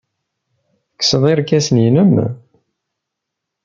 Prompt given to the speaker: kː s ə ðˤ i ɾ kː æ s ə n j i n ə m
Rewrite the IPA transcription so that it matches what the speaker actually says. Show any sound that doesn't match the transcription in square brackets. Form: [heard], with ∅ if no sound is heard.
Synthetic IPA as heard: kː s ə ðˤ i ɾ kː æ s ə n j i n ə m